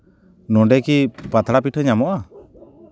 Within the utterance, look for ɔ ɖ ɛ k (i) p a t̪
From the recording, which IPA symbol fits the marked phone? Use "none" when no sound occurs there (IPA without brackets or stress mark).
i